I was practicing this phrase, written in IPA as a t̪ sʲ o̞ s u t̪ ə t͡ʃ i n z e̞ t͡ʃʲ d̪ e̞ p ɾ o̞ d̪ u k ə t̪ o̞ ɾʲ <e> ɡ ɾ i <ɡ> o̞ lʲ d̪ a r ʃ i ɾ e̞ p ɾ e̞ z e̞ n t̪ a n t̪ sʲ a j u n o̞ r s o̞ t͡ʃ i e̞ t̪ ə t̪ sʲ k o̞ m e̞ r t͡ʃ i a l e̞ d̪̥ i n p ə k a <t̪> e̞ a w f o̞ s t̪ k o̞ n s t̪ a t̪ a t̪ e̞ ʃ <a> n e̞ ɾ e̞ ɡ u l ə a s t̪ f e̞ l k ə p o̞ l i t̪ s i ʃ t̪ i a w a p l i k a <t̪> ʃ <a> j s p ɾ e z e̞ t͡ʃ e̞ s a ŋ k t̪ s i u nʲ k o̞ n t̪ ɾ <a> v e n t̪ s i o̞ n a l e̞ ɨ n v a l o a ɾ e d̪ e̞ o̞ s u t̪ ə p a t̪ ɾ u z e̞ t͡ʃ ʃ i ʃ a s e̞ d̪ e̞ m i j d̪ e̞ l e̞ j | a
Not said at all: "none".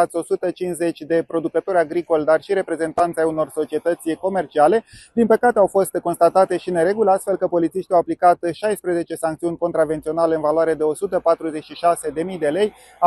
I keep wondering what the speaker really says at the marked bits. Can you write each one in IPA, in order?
a, k, t̪, i, t̪, a, a

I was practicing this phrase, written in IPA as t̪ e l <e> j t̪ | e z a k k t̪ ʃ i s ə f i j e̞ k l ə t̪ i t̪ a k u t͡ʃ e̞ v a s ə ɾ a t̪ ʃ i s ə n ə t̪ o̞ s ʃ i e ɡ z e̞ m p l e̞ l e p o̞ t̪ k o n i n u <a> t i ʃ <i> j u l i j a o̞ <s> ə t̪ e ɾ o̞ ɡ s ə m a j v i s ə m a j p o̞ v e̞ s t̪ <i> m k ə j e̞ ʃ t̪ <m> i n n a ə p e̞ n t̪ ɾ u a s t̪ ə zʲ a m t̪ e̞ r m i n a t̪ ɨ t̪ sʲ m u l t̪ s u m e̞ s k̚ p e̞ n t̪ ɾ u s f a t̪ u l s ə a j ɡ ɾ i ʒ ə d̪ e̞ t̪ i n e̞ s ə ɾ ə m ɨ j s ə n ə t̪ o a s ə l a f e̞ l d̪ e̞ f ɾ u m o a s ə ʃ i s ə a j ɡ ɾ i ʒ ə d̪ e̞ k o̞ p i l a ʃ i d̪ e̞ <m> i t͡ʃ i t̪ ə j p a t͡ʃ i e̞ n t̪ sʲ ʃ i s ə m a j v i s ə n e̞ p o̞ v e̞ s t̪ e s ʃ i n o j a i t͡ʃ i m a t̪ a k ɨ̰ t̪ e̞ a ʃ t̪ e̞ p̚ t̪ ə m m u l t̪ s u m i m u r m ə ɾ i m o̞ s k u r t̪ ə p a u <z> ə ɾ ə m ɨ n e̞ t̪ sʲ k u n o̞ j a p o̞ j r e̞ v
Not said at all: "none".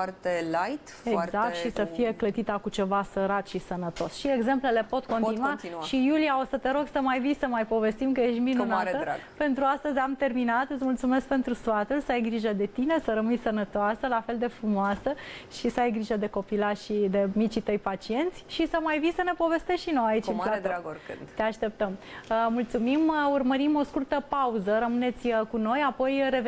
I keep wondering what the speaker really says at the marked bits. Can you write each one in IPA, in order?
a, a, i, s, i, m, m, z

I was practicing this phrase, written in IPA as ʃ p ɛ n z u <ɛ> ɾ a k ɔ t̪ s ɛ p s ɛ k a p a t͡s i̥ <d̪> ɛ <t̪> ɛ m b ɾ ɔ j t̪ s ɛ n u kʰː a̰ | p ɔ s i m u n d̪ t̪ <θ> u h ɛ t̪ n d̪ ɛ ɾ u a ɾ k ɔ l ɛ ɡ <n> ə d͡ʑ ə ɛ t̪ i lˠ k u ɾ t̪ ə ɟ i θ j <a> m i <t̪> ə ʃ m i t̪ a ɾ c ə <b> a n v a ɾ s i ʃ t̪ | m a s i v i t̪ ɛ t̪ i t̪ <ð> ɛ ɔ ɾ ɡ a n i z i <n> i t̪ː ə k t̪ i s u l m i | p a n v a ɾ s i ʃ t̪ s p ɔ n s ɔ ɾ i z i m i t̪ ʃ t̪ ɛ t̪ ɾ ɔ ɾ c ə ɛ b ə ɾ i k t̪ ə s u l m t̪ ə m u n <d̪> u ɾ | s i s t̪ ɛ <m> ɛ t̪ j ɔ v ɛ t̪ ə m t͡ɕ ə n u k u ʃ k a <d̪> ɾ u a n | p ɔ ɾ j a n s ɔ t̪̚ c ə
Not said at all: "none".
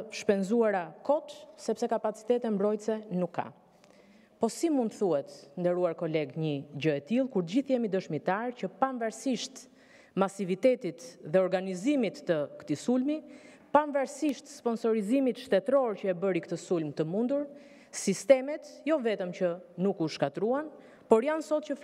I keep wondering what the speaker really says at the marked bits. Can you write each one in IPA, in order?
a, t̪, t̪, θ, ɲ, ɛ, d̪, p, ð, m, d̪, m, t̪

